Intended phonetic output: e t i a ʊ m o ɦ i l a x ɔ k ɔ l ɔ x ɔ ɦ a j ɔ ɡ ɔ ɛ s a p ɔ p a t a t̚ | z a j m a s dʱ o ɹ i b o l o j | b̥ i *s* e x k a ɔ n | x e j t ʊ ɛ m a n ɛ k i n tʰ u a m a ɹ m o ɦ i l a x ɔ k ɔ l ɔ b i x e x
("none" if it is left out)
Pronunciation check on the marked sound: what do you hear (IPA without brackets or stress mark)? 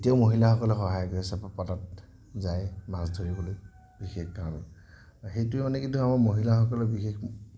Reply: x